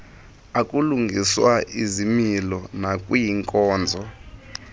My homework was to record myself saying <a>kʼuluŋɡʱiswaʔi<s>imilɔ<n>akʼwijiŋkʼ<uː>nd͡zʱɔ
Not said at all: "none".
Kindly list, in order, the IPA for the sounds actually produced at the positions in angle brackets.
a, z, n, ɔː

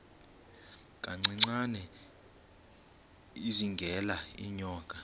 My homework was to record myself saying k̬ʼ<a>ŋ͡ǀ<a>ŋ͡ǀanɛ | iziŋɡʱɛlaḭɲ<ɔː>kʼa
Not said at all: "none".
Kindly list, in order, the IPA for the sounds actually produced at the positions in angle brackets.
a, i, ɔː

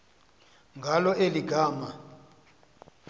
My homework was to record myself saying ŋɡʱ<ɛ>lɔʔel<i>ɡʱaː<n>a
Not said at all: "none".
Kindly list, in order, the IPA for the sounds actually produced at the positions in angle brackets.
a, i, m

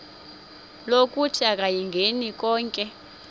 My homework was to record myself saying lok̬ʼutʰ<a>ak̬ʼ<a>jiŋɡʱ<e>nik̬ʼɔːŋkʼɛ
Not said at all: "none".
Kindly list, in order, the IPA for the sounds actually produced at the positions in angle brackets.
i, a, e

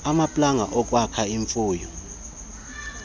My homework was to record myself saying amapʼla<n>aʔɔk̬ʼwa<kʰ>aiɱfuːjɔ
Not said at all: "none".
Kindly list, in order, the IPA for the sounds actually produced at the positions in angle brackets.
ŋ, kʰ

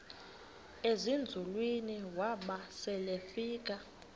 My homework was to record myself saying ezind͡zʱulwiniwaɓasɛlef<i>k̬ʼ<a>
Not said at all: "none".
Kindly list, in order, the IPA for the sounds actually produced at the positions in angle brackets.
iː, a

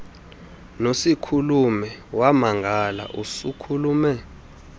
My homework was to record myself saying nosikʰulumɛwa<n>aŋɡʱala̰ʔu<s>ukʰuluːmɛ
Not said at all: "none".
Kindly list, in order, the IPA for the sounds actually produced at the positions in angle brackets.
m, s

